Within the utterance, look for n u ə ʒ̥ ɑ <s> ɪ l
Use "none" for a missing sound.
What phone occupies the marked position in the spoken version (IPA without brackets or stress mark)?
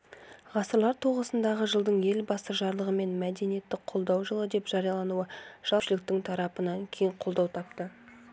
ʃ